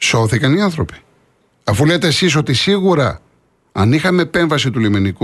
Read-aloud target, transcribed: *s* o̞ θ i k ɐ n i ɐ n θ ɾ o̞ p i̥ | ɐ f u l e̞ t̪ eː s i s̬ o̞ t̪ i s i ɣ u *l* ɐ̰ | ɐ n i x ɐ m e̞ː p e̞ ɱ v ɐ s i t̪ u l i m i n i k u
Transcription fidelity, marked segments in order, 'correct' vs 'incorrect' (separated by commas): correct, incorrect